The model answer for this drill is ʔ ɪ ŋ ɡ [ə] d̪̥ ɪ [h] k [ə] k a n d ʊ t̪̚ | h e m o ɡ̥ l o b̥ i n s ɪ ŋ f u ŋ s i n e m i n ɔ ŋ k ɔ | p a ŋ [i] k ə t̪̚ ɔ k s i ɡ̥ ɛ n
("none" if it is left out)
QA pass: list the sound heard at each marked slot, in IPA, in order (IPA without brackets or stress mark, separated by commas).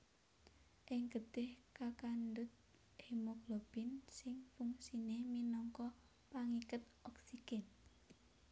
ə, h, a, i